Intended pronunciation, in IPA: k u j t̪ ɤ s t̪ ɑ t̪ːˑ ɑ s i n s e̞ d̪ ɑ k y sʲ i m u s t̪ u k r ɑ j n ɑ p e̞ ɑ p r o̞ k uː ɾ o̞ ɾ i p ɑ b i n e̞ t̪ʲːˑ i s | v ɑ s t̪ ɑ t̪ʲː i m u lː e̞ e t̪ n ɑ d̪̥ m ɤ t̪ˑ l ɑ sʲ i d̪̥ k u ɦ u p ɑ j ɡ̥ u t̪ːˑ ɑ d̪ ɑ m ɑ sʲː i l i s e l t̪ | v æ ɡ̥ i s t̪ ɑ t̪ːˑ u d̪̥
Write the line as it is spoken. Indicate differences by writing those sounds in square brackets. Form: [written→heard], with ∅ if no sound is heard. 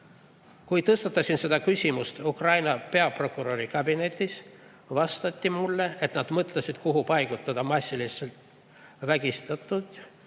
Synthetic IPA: k u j t̪ ɤ s t̪ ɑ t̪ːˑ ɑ s i n s e̞ d̪ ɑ k y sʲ i m u s t̪ u k r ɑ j n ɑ p e̞ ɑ p r o̞ k [uː→u] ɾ o̞ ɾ i [p→k] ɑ b i n e̞ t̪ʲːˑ i s | v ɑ s t̪ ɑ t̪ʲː i m u lː e̞ e t̪ n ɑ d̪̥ m ɤ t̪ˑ l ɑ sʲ i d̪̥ k u ɦ u p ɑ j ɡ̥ u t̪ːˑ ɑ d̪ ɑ m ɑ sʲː i l i s e l t̪ | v æ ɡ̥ i s t̪ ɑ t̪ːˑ u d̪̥